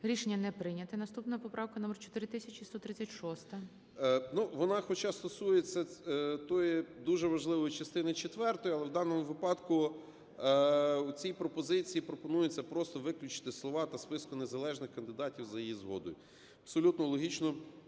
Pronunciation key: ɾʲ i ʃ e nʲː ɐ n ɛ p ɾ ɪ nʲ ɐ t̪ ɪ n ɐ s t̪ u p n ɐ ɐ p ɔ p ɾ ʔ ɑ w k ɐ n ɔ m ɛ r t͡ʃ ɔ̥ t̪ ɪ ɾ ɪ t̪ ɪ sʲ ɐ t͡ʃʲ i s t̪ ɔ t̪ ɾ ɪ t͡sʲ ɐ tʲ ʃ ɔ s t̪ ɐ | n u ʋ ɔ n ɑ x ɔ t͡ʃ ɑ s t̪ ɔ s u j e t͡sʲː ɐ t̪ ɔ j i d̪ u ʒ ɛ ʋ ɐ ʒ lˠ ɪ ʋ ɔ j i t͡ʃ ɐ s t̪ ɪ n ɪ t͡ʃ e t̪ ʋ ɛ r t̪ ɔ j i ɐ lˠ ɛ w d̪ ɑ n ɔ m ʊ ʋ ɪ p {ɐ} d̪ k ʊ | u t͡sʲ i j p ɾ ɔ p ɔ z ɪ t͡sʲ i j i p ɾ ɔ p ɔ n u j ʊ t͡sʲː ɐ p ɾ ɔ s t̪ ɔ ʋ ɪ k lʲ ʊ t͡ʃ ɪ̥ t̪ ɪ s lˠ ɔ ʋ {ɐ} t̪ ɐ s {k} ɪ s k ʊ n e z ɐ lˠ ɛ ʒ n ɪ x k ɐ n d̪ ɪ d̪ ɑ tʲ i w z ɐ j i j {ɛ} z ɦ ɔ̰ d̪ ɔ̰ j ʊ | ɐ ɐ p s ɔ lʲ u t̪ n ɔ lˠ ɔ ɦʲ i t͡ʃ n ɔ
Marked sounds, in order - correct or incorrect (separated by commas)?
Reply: incorrect, incorrect, incorrect, incorrect